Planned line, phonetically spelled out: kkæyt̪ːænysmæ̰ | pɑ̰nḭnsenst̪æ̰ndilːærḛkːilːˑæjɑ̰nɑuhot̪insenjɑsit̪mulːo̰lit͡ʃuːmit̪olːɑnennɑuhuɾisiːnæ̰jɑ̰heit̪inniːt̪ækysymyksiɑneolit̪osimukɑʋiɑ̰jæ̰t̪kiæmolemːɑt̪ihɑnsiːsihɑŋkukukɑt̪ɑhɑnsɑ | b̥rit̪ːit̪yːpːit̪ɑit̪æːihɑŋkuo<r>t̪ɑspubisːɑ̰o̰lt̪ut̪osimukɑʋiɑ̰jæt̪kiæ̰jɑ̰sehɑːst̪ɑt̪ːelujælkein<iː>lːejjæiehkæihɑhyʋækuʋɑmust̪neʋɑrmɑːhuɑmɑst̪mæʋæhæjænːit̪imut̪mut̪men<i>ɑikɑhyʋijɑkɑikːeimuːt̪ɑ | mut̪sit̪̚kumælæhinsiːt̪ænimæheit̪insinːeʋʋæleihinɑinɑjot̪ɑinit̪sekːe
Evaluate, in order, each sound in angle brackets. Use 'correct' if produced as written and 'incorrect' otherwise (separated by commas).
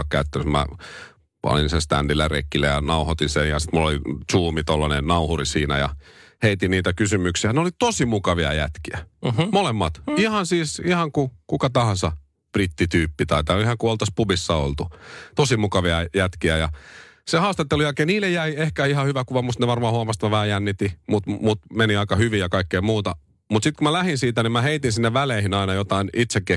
incorrect, correct, correct